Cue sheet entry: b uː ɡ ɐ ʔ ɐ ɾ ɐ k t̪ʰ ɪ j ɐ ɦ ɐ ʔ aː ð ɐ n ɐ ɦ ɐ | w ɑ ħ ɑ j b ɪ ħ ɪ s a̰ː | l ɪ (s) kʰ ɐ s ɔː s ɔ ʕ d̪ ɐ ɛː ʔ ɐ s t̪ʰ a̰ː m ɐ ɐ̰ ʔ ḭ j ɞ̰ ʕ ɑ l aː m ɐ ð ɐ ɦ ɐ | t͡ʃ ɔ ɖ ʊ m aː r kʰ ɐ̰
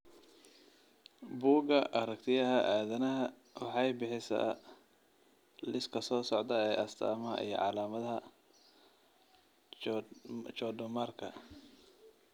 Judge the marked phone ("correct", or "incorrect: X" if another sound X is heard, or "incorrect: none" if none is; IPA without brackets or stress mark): correct